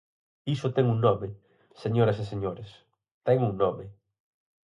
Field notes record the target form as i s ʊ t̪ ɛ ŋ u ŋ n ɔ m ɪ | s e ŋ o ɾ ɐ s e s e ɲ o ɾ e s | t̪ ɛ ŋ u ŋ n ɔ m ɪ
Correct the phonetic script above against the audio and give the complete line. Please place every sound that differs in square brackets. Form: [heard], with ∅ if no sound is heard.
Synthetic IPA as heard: i s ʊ t̪ ɛ ŋ u ŋ n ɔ m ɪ | s e [ɲ] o ɾ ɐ s e s e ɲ o ɾ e s | t̪ ɛ ŋ u ŋ n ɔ m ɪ

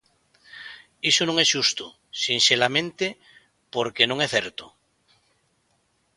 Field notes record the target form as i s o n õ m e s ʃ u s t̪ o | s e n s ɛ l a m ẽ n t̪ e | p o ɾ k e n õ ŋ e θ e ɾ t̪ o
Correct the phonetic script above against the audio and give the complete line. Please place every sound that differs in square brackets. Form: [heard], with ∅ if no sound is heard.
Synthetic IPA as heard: i s o n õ [ŋ] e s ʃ u s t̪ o | s [i] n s [e] l a m ẽ n t̪ e | p o ɾ k e n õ ŋ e θ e ɾ t̪ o

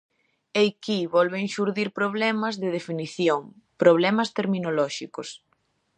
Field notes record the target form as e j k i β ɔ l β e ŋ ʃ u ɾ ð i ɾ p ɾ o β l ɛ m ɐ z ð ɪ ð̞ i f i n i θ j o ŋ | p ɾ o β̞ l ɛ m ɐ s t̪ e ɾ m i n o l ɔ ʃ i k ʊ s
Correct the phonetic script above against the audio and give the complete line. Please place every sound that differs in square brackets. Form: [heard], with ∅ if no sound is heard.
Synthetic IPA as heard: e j k i β ɔ l β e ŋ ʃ u ɾ ð i ɾ p ɾ o β l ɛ m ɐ z ð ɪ ð̞ [e] f i n i θ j o ŋ | p ɾ o β̞ l ɛ m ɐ s t̪ e ɾ m i n o l ɔ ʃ i k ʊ s

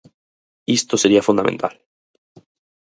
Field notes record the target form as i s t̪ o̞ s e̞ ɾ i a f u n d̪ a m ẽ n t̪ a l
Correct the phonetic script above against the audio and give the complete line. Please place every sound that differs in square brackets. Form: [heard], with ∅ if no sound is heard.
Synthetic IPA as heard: i s t̪ o̞ s e̞ ɾ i a f u n d̪ a m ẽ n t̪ a l

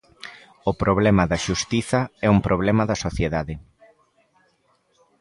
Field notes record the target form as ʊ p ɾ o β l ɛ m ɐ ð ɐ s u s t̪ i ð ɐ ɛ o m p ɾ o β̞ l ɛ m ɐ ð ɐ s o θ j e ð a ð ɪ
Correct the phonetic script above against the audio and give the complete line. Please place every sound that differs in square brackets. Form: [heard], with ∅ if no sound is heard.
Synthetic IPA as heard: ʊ p ɾ o β l ɛ m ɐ ð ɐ [ʃ] u s t̪ i [θ] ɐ ɛ [u] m p ɾ o β̞ l ɛ m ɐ ð ɐ s o θ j e ð a ð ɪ

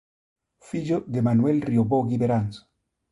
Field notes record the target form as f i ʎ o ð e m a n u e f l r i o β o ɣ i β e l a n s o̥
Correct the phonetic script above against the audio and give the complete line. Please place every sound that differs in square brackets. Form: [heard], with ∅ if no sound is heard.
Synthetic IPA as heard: f i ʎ o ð e m a n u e [∅] l r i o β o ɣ i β e [ɾ] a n s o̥

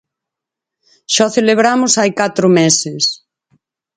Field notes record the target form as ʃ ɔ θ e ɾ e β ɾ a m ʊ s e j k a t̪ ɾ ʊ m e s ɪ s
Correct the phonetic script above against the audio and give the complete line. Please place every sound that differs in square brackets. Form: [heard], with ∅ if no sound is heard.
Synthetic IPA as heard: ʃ ɔ θ e [l] e β ɾ a m ʊ s [a] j k a t̪ ɾ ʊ m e s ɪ s

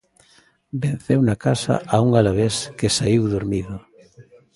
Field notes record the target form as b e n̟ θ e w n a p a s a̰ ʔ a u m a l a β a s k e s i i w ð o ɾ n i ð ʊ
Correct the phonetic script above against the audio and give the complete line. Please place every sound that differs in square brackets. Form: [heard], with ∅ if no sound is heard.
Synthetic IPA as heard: b e n̟ θ e w n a [k] a s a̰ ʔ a u [ŋ] a l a β [e] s k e s [a] i w ð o ɾ [m] i ð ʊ

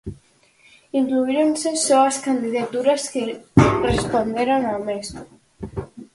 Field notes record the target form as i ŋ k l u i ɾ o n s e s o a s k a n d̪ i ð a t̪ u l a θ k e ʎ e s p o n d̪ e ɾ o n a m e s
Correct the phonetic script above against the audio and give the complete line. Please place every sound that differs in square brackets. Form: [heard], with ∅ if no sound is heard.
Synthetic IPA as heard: i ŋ k l u i ɾ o n s e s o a s k a n d̪ i ð a t̪ u [ɾ] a [s] k e [r] e s p o n d̪ e ɾ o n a m e s

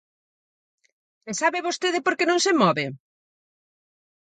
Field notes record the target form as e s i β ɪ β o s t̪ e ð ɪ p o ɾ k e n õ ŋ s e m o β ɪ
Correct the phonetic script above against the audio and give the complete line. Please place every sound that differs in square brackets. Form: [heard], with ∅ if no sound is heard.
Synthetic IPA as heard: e s [a] β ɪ β o s t̪ e ð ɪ p o ɾ k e n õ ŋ s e m [ɔ] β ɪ

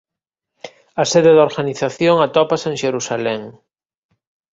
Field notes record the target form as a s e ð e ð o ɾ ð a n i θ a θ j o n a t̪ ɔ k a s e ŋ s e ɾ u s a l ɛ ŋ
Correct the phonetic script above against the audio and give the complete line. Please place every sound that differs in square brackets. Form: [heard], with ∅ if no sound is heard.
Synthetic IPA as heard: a s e ð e ð o ɾ [ɣ] a n i θ a θ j o [ŋ] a t̪ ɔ [p] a s e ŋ [ʃ] e ɾ u s a l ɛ ŋ

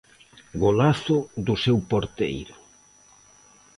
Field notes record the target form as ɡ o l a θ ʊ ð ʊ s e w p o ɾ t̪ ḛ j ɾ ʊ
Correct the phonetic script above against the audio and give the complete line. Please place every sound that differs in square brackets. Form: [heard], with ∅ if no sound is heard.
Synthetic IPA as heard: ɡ o l a θ ʊ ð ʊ s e w p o ɾ t̪ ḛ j ɾ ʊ

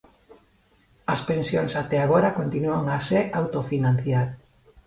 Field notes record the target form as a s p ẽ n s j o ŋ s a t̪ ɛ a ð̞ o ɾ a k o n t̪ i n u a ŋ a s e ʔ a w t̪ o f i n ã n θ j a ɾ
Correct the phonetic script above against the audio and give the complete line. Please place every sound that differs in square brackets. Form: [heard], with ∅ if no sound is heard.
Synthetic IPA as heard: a s p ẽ n s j o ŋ s a t̪ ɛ a [ɣ̞] o ɾ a k o n t̪ i n u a ŋ a s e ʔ a w t̪ o f i n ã n θ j a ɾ

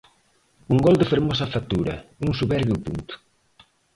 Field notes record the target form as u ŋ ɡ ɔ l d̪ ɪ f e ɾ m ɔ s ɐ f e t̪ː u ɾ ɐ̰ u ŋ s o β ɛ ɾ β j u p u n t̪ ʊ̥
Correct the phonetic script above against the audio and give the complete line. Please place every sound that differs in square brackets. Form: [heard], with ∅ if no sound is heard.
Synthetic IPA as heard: u ŋ ɡ ɔ l d̪ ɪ f e ɾ m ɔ s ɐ f [a] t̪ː u ɾ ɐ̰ u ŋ s [u] β ɛ ɾ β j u p u n t̪ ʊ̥

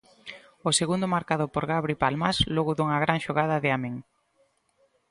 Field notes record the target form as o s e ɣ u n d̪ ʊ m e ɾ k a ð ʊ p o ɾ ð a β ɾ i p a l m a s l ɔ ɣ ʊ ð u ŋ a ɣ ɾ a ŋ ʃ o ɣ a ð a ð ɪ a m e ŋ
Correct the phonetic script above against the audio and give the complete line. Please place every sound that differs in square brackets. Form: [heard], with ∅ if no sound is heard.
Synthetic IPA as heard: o s e ɣ u n d̪ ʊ m [a] ɾ k a ð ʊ p o ɾ [ɣ] a β ɾ i p a l m a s l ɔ ɣ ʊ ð u ŋ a ɣ ɾ a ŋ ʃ o ɣ a ð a ð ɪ a m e ŋ

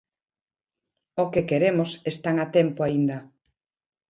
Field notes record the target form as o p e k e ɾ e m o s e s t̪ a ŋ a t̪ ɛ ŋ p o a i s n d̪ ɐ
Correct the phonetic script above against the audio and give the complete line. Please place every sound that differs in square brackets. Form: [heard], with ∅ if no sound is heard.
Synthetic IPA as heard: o [k] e k e ɾ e m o s e s t̪ a ŋ a t̪ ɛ [m] p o a i [∅] n d̪ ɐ

